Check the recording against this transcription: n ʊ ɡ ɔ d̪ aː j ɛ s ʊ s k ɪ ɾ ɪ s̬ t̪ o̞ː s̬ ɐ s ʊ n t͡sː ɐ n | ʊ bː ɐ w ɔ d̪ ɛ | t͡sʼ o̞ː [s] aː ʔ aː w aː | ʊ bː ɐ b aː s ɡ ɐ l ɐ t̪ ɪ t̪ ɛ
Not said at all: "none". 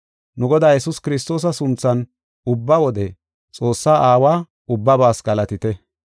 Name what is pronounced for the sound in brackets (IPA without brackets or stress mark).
sː